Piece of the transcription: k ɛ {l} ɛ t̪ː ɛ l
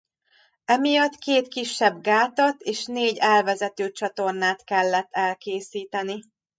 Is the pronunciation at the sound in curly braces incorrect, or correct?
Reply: incorrect